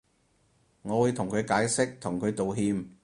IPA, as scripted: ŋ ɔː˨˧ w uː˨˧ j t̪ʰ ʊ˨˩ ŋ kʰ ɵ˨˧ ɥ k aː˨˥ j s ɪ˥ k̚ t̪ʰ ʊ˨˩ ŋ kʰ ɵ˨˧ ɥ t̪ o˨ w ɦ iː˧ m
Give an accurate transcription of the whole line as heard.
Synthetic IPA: ŋ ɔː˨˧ w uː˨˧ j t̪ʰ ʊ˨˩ ŋ kʰ ɵ˨˧ ɥ k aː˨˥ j s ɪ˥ k̚ t̪ʰ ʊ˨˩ ŋ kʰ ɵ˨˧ ɥ t̪ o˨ w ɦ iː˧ m